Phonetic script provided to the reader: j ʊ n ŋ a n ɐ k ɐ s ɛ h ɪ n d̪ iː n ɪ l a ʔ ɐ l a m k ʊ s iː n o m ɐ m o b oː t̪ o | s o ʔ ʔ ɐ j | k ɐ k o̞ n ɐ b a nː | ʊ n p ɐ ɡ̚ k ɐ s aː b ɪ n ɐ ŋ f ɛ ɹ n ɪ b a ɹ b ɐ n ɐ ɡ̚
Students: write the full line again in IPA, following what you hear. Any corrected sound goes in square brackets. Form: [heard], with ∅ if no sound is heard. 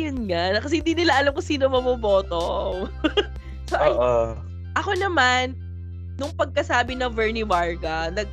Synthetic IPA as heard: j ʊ n ŋ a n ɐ k ɐ s ɛ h ɪ n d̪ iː n ɪ l a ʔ ɐ l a m k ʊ s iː n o m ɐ m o b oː t̪ o | s o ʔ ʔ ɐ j | [ʔ] ɐ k o̞ n ɐ [m] a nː | ʊ [ŋ] p ɐ ɡ̚ k ɐ s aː b ɪ n ɐ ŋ [v] ɛ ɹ n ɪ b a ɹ [ɡ] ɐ n ɐ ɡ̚